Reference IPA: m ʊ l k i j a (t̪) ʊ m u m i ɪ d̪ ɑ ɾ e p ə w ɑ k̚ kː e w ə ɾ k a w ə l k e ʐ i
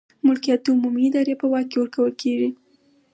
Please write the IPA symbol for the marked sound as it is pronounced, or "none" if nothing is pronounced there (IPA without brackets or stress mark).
t̪